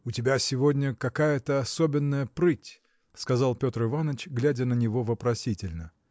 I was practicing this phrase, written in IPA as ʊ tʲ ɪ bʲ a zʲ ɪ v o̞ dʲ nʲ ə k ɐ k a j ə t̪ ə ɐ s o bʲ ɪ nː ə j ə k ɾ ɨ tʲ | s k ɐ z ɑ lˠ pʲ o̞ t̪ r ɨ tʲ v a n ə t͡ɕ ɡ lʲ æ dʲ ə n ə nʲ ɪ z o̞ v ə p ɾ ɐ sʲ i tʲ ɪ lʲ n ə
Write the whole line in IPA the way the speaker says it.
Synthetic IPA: ʊ tʲ ɪ bʲ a sʲ ɪ v o̞ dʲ nʲ ə k ɐ k a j ə t̪ ə ɐ s o bʲ ɪ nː ə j ə p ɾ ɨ tʲ | s k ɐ z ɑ lˠ pʲ o̞ t̪ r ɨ v a n ə t͡ɕ ɡ lʲ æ dʲ ə n ə nʲ ɪ v o̞ v ə p ɾ ɐ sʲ i tʲ ɪ lʲ n ə